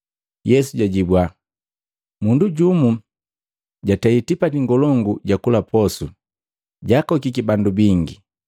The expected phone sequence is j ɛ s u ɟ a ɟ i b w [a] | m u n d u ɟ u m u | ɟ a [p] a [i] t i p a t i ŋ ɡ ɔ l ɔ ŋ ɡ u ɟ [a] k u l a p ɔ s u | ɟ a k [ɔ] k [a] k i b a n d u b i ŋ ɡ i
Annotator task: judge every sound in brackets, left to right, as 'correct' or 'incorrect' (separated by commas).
correct, incorrect, correct, correct, correct, incorrect